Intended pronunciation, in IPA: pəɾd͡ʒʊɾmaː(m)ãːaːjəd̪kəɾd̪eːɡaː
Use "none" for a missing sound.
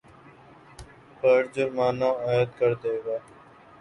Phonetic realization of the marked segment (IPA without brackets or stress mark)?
n